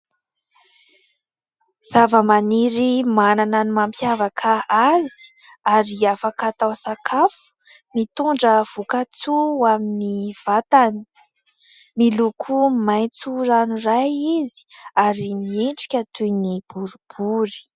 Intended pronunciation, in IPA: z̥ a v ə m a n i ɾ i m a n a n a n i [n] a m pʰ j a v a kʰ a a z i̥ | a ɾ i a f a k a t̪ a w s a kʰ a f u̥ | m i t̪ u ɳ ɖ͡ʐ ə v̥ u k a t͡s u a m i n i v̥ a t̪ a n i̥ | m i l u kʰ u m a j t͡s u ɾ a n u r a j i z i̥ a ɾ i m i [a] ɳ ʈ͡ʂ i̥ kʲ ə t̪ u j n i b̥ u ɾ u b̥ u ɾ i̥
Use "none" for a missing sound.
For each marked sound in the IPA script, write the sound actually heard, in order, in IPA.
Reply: m, e

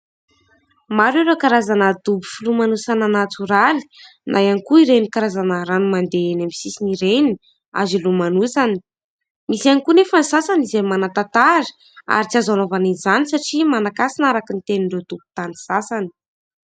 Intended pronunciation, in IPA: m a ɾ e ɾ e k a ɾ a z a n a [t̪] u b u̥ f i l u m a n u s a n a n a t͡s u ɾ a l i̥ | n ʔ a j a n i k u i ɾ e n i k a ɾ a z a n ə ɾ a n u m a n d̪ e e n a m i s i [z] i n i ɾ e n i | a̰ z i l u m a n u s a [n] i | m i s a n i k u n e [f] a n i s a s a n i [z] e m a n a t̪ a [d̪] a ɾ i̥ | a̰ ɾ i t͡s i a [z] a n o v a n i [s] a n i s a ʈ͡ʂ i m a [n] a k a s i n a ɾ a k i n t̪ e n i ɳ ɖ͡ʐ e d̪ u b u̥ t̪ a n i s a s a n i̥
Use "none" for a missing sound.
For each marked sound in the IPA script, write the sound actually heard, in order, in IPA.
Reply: d̪, s, n, f, z, t̪, z, z, n

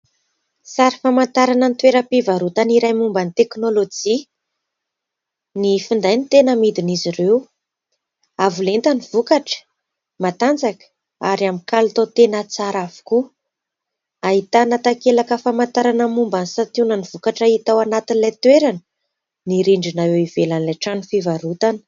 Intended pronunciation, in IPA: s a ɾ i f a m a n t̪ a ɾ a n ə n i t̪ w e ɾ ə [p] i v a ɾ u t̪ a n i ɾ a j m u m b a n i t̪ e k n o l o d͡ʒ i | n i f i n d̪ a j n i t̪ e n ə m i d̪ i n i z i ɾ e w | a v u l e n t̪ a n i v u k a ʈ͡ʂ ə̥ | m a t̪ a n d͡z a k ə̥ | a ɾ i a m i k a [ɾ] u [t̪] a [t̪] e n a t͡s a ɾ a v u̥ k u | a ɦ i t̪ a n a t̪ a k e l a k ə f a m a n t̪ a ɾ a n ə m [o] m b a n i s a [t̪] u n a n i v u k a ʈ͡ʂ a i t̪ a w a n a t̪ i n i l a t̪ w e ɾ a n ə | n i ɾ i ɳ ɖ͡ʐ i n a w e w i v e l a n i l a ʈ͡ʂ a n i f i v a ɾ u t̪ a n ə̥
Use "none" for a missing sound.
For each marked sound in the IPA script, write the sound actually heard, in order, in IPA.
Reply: p, l, t̪, t̪, u, t̪

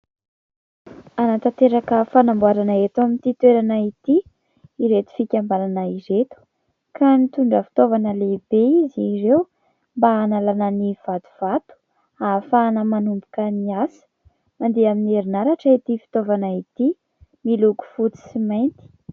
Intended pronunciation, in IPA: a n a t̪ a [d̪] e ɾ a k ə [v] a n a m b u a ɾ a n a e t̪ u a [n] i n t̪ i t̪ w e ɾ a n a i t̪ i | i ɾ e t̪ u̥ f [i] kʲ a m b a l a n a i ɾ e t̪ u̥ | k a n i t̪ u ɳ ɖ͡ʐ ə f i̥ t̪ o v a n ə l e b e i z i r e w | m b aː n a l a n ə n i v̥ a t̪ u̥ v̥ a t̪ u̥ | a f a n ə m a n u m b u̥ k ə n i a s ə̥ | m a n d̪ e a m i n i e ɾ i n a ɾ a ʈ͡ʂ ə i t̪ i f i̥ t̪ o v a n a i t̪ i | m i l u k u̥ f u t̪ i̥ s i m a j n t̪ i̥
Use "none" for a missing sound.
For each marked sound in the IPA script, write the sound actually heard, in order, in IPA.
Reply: t̪, f, m, i

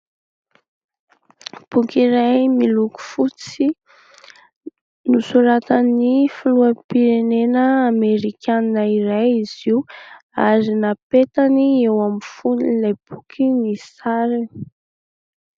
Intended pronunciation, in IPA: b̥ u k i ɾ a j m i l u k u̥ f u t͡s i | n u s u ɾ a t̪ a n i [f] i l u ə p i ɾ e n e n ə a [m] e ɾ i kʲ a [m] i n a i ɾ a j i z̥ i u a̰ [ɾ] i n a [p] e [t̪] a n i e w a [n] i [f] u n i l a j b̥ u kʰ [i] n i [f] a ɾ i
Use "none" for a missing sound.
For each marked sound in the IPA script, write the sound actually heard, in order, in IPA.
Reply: f, m, n, ɾ, p, t̪, m, f, i, s

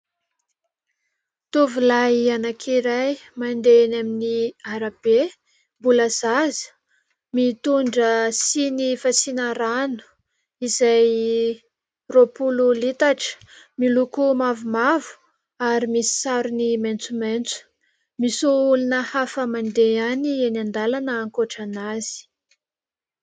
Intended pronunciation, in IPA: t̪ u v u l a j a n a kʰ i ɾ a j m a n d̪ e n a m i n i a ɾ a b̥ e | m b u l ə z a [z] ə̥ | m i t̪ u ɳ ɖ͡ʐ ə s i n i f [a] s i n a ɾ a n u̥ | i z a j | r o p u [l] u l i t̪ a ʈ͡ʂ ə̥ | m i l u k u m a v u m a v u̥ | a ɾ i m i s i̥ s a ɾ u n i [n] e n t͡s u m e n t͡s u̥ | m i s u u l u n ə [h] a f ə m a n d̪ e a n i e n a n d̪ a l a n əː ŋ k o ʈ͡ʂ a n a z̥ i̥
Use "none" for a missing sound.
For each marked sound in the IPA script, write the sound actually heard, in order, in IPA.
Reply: z, a, l, m, h

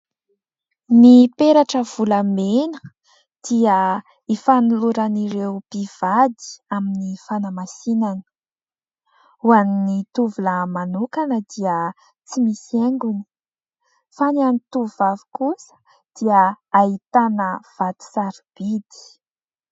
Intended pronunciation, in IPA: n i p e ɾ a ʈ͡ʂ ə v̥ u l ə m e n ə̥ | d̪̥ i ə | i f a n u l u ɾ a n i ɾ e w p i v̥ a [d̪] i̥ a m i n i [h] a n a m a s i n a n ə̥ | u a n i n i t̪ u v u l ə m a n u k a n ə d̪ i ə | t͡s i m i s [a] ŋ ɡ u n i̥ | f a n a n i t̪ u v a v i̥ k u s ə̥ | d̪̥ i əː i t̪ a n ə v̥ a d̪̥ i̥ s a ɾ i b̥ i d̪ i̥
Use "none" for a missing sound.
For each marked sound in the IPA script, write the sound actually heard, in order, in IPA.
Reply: d̪, f, e

